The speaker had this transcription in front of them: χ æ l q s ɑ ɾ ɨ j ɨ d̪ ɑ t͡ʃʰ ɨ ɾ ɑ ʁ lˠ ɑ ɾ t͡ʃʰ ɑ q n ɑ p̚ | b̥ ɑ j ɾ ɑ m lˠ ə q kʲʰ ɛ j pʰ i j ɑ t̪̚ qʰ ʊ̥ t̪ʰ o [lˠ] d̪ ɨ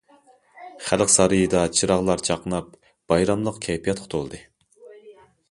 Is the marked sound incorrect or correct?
correct